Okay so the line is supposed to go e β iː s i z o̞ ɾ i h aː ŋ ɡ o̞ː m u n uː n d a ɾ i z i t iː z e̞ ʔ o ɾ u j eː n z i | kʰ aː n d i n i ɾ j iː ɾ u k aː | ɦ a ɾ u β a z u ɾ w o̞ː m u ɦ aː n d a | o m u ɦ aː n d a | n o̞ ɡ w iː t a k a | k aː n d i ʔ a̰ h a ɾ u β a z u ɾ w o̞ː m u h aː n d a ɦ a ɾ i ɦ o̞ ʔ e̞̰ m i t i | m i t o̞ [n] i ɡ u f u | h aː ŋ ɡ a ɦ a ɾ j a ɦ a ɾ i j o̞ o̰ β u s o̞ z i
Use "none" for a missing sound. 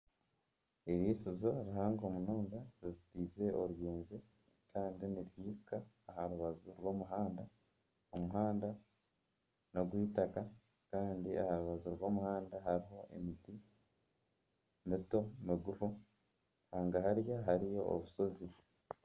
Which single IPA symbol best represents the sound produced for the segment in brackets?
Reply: m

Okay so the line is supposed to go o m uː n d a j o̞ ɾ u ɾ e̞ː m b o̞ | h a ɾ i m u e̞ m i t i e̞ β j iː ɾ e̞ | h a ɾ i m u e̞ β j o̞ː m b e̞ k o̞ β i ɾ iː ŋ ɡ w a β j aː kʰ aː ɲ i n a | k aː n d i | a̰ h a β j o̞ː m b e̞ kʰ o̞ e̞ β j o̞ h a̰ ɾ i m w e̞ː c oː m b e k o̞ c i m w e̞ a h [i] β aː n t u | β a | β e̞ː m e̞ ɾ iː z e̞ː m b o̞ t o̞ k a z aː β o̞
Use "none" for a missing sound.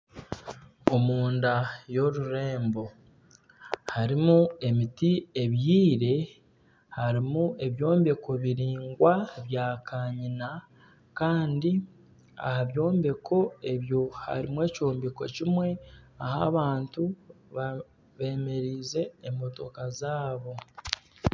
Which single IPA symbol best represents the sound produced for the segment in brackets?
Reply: a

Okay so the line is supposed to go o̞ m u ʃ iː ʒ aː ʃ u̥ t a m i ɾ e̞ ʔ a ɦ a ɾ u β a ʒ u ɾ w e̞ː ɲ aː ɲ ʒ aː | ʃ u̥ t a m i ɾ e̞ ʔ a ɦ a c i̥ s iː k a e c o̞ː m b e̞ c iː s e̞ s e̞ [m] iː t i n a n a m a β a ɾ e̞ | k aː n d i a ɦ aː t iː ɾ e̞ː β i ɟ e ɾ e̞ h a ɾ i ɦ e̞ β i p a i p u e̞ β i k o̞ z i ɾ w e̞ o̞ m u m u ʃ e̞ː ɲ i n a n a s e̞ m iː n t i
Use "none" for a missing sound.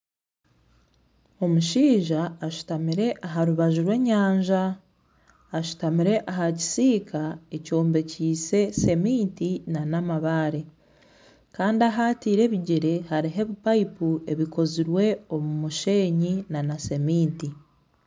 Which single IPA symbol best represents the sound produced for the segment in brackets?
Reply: m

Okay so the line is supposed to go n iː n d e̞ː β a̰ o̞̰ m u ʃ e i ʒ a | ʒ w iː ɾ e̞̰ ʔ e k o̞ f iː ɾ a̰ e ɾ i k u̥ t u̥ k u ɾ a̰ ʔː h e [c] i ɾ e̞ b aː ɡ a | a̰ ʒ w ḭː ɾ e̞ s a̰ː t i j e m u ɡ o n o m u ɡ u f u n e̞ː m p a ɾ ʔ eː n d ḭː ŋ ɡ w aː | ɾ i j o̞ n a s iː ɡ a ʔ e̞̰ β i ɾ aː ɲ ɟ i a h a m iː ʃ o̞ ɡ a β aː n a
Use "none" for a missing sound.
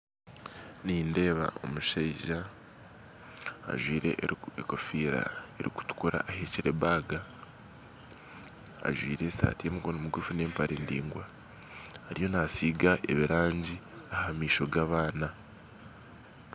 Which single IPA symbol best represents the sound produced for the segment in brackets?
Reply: c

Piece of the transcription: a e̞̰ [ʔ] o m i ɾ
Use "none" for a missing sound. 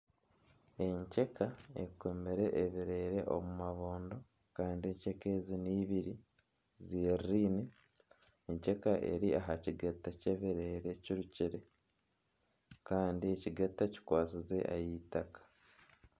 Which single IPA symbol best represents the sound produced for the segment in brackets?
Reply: k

